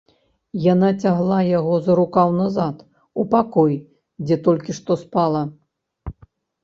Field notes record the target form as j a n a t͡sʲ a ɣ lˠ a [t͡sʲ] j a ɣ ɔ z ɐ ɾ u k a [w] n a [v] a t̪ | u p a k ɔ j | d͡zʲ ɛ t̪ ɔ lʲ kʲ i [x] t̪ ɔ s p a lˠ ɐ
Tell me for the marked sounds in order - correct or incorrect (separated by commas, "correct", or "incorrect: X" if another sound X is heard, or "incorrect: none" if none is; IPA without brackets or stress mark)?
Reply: incorrect: none, correct, incorrect: z, incorrect: ʂ